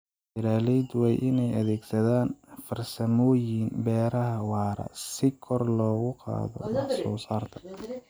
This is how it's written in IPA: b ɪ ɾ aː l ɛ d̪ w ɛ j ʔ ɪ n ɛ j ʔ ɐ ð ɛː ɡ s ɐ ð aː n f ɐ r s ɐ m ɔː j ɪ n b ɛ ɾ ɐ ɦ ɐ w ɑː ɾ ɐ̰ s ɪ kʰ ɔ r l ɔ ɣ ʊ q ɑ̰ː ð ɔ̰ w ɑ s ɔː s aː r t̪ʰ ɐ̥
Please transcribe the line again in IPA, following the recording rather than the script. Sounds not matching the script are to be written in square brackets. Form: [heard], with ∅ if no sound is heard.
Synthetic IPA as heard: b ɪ ɾ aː l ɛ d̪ w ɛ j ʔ ɪ n ɛ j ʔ ɐ ð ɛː ɡ s ɐ ð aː n f ɐ r s ɐ m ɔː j ɪ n b [ɛː] ɾ ɐ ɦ ɐ w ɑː ɾ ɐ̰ s ɪ kʰ ɔ r l [ɔː] ɣ ʊ q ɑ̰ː ð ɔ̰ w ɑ s ɔː s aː r t̪ʰ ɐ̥